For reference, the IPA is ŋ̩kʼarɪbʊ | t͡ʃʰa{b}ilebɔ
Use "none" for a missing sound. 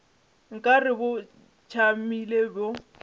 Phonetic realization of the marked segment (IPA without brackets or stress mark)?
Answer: m